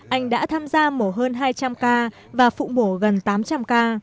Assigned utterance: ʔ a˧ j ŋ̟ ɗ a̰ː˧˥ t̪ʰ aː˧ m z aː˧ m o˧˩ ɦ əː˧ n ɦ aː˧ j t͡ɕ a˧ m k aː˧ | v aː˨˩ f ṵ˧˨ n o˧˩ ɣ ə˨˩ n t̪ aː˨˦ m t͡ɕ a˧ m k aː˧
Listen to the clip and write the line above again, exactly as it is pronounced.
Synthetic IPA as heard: ʔ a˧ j ŋ̟ ɗ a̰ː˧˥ t̪ʰ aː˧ m z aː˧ m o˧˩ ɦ əː˧ n ɦ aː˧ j t͡ɕ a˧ m k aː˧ | v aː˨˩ f ṵ˧˨ m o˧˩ ɣ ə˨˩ n t̪ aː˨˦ m t͡ɕ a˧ m k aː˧